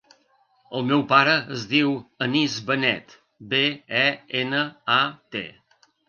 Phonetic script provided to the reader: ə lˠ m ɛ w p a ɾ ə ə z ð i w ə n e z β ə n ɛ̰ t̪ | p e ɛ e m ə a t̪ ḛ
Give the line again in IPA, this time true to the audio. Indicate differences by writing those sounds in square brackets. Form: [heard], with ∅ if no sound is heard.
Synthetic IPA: ə lˠ m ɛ w p a ɾ ə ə z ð i w ə n [i] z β ə n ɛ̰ t̪ | [b] e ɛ e [n] ə a t̪ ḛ